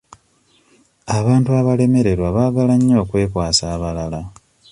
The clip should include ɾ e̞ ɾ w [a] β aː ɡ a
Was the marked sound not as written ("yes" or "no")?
no